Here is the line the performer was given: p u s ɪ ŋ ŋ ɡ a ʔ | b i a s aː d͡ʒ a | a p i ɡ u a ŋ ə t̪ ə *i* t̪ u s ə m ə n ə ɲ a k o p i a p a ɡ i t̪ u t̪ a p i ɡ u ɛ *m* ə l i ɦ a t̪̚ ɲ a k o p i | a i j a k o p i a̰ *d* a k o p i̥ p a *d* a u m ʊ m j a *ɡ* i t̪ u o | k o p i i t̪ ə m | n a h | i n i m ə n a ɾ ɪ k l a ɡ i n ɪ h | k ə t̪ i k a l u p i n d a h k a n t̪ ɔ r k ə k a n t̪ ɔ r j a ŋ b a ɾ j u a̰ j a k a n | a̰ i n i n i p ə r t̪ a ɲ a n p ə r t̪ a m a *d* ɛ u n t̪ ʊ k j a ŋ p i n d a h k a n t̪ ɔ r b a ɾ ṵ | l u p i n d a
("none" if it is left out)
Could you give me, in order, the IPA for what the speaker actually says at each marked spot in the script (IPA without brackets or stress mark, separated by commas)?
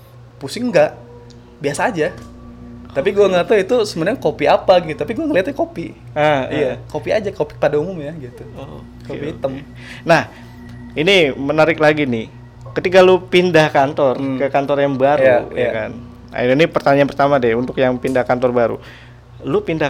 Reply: i, ŋ, d͡ʒ, d, ɡ, d